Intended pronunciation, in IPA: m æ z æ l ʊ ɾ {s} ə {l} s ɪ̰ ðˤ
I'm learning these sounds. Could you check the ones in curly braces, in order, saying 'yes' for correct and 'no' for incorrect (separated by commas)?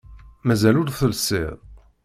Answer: no, yes